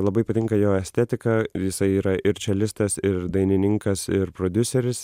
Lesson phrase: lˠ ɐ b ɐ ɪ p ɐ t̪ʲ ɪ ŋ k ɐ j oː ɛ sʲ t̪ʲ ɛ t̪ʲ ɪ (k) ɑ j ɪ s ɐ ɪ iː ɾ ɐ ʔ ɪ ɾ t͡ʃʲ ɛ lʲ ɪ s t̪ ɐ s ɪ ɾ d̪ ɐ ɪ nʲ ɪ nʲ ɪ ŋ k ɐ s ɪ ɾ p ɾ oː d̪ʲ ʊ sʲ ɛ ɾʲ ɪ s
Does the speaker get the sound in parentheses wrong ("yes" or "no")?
no